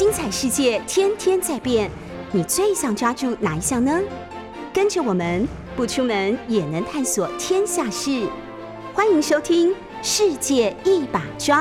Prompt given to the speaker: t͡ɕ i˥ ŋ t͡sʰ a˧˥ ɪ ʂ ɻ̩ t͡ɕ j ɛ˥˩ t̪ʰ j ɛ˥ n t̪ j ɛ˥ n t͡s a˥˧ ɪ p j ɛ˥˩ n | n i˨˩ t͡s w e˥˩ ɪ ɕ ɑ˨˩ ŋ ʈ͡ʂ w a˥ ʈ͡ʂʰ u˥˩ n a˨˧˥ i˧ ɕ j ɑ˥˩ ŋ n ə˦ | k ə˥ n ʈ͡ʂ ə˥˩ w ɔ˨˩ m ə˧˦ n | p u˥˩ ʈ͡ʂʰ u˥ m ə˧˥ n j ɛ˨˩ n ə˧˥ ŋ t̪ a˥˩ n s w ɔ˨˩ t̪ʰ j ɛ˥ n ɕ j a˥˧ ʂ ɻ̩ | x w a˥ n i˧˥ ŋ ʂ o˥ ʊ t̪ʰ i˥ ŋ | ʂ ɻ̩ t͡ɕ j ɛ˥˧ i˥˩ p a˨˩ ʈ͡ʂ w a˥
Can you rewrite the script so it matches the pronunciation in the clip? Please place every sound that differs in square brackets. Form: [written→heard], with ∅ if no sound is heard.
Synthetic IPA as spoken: t͡ɕ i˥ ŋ t͡sʰ [a˧˥→a˨˩] ɪ ʂ ɻ̩ t͡ɕ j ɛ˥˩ t̪ʰ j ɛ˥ n [t̪→t̪ʰ] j ɛ˥ n t͡s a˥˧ ɪ p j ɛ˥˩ n | n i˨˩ t͡s w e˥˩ ɪ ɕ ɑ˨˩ ŋ ʈ͡ʂ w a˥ [ʈ͡ʂʰ→ʈ͡ʂ] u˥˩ n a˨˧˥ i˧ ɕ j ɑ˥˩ ŋ n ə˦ | k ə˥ n ʈ͡ʂ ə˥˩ w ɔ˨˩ m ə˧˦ n | p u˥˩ ʈ͡ʂʰ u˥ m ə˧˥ n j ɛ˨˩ n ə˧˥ ŋ [t̪→t̪ʰ] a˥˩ n s w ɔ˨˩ t̪ʰ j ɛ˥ n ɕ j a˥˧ ʂ ɻ̩ | x w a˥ n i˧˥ ŋ ʂ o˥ ʊ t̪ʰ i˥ ŋ | ʂ ɻ̩ t͡ɕ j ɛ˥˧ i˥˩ p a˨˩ ʈ͡ʂ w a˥